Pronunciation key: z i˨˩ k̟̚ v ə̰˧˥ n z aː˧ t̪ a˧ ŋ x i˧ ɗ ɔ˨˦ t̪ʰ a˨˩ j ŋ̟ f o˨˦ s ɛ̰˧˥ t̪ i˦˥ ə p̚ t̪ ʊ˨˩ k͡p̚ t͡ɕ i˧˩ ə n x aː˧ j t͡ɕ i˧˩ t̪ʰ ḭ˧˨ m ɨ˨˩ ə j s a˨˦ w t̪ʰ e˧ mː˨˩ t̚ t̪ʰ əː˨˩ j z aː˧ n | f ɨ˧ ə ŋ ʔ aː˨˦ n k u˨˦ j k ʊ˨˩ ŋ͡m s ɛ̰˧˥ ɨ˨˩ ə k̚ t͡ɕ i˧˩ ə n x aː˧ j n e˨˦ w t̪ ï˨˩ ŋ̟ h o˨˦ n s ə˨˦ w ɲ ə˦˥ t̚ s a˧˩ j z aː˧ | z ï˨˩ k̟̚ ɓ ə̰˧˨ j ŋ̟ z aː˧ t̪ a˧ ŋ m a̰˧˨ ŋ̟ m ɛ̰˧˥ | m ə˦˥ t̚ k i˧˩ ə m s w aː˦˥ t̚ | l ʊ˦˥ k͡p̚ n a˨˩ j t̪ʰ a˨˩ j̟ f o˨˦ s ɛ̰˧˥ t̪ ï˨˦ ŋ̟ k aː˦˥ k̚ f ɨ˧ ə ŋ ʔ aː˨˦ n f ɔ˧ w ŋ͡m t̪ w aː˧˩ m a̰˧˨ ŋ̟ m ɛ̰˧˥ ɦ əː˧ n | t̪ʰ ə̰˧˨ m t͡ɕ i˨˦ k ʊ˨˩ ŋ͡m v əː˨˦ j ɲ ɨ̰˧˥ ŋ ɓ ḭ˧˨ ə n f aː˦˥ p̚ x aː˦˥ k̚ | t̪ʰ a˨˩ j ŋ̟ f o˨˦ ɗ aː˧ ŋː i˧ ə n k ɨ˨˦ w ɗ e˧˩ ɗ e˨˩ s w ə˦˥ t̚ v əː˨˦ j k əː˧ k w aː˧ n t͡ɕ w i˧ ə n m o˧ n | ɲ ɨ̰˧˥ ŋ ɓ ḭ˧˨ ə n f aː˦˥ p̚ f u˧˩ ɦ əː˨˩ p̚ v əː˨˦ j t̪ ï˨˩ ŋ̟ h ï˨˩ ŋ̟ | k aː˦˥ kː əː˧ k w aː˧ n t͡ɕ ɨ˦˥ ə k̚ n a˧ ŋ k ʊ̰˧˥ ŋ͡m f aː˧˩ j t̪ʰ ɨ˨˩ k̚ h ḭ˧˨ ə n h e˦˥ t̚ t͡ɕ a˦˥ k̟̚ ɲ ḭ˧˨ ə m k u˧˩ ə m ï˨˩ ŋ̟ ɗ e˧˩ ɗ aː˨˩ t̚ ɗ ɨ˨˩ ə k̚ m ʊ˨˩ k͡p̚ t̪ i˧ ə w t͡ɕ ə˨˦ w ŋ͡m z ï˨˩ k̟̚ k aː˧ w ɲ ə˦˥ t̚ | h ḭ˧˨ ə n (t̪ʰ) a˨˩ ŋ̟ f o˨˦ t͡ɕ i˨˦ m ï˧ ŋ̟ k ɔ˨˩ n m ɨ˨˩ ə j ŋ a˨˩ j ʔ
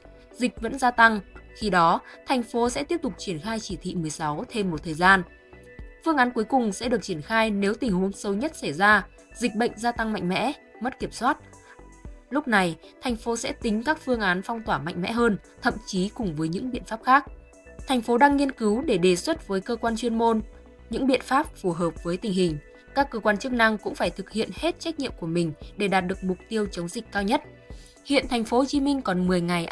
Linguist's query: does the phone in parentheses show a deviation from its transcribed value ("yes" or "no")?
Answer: no